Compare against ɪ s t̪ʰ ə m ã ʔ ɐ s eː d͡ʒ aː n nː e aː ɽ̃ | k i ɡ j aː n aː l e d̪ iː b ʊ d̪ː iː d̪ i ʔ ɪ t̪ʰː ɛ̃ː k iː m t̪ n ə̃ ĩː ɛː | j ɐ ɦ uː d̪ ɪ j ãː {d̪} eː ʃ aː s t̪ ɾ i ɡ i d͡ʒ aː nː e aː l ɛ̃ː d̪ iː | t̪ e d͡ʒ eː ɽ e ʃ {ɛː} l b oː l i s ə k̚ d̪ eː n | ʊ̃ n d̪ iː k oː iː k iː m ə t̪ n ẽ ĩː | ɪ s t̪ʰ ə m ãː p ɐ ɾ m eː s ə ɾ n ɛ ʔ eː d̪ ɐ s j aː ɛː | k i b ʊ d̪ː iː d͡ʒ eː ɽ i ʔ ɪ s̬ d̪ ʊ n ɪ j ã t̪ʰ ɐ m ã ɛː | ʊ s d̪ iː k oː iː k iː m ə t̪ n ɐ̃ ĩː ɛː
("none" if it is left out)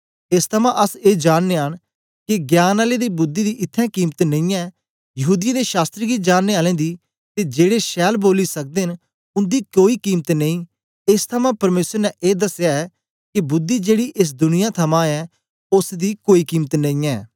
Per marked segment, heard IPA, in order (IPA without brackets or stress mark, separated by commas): d̪, ɛː